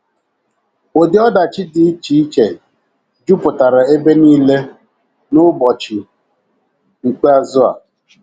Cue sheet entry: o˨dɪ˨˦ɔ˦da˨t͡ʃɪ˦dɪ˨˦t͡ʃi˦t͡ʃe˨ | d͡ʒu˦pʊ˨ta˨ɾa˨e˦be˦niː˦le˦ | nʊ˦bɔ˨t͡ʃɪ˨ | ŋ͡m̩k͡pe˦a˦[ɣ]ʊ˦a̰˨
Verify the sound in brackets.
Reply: incorrect: z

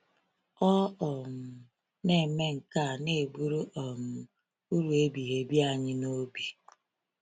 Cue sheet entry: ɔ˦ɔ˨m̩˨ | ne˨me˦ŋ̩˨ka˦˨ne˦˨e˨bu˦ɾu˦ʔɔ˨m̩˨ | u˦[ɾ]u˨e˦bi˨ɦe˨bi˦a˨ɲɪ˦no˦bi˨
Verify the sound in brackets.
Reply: correct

